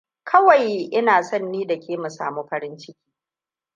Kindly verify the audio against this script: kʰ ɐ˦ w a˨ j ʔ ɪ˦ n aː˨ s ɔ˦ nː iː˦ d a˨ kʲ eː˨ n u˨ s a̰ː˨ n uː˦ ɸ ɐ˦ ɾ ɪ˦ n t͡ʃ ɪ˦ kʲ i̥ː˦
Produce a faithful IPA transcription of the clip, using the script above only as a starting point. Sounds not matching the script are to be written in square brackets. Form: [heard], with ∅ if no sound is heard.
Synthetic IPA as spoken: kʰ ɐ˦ w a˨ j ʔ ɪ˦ n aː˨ s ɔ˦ nː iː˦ d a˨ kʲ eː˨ [m] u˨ s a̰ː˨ [m] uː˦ ɸ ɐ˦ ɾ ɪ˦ n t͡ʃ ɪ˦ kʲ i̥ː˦

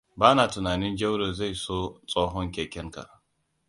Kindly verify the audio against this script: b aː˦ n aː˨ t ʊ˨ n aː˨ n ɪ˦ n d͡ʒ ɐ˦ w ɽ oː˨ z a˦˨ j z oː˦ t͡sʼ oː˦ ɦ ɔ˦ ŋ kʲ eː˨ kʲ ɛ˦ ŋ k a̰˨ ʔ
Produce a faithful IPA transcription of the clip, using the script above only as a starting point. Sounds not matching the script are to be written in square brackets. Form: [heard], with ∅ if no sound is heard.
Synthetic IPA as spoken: b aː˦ n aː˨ t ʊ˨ n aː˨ n ɪ˦ n d͡ʒ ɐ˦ w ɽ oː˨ z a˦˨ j [s] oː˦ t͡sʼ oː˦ ɦ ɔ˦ ŋ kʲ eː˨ kʲ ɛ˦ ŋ k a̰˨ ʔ

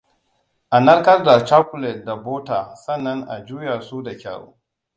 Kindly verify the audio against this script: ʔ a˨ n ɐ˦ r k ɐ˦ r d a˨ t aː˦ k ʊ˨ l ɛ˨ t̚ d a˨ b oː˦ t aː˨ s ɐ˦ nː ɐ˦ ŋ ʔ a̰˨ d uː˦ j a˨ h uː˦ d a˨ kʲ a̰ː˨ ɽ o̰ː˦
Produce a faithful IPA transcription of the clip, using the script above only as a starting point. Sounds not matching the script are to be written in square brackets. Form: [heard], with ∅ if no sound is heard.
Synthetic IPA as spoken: ʔ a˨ n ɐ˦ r k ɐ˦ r d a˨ [t͡ʃ] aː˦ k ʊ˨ l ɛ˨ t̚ d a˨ b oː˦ t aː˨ s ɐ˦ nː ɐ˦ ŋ ʔ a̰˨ [d͡ʒ] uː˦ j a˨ [s] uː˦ d a˨ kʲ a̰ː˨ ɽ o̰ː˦

